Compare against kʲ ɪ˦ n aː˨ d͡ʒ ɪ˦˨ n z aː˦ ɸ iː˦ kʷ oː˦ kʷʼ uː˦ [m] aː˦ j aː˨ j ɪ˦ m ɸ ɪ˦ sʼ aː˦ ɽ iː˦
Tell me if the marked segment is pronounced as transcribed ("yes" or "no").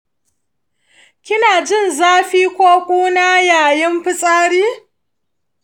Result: no